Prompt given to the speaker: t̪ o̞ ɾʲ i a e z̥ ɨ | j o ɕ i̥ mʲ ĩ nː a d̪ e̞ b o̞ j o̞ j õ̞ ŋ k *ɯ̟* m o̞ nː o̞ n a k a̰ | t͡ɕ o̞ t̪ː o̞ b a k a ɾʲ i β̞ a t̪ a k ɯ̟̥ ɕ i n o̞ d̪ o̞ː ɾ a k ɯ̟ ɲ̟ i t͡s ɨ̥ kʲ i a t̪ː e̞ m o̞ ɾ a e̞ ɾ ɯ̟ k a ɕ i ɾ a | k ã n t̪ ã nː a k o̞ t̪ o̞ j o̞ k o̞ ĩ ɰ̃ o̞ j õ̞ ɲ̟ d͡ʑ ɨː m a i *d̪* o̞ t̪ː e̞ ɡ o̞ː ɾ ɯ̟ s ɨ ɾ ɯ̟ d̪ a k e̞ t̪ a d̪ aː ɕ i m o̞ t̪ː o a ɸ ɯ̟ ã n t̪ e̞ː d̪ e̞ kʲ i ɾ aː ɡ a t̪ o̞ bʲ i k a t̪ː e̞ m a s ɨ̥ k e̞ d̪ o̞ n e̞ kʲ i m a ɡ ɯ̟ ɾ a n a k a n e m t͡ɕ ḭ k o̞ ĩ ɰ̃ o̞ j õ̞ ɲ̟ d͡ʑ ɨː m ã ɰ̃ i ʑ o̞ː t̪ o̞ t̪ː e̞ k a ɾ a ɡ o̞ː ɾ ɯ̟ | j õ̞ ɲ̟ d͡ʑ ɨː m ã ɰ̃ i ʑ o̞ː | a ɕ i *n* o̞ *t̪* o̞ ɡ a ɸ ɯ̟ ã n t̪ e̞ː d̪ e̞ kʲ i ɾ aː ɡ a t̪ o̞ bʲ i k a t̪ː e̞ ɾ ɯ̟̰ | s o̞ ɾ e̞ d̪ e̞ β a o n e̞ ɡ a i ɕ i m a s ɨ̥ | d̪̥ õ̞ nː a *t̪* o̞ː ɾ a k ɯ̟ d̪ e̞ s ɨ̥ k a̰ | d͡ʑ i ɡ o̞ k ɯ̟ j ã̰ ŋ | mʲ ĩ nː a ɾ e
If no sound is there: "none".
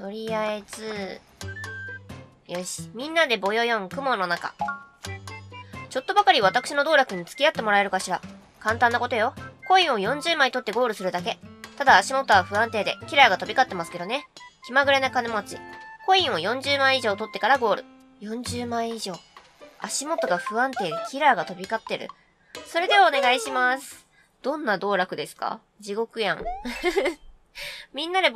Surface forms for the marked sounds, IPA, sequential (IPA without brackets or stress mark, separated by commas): ɯ̟, t̪, m, t̪, d̪